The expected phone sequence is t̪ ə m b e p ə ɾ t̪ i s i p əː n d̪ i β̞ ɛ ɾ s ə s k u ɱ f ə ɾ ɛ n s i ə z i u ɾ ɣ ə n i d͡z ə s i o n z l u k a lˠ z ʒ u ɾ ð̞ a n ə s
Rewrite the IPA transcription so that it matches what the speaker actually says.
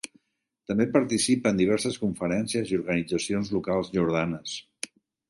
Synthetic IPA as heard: t̪ ə m b e p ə ɾ t̪ i s i p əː n d̪ i β̞ ɛ ɾ s ə s k u ɱ f ə ɾ ɛ n s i ə z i u ɾ ɣ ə n i d͡z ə s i o n z l u k a lˠ z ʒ u ɾ ð̞ a n ə s